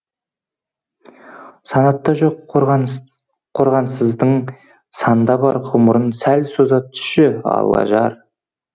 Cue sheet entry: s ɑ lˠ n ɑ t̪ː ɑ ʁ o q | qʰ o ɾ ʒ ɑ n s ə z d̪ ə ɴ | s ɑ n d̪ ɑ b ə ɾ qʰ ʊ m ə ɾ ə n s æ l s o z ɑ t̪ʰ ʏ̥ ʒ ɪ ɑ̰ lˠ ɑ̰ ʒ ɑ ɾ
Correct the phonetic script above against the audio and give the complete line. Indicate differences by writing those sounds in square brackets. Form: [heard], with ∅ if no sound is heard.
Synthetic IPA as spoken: s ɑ [∅] n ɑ t̪ː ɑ [ʒ] o q | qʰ o ɾ [ʁ] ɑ n s ə z d̪ ə ɴ | s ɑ n d̪ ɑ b [ɑ] ɾ qʰ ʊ m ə ɾ ə n s æ l s o z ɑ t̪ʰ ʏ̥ [ʃ] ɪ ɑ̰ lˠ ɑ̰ ʒ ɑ ɾ